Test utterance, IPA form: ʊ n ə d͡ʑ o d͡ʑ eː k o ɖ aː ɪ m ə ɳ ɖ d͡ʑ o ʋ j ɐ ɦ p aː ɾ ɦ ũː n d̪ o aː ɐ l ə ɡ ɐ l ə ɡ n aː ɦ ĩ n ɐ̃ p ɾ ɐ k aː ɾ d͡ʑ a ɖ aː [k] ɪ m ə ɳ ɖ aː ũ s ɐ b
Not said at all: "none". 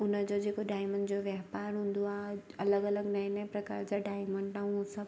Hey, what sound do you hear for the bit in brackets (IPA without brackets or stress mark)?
none